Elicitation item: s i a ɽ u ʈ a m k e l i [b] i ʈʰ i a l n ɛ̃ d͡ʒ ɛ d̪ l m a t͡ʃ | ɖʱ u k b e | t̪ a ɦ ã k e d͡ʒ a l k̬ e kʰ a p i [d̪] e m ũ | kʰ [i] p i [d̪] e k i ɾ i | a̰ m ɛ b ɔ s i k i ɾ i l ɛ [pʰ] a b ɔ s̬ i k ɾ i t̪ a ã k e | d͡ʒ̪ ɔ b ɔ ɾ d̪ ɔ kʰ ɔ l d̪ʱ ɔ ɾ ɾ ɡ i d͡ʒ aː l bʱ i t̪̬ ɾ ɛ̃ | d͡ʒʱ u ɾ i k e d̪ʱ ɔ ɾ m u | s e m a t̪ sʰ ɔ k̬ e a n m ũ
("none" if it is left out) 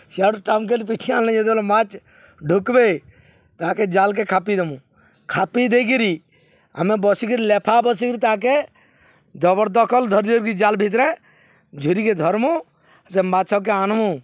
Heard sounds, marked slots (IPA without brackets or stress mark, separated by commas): p, d̪, a, d̪, pʰ